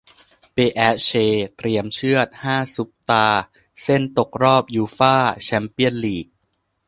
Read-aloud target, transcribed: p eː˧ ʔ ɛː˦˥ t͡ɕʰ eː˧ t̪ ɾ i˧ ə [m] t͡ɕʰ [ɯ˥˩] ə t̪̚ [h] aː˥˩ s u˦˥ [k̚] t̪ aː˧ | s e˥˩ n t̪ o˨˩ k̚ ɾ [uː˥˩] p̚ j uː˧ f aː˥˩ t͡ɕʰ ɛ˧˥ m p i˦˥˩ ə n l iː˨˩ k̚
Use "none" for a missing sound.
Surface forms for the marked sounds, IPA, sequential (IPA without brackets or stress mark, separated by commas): m, ɯ˥˩, h, p̚, ɔː˥˩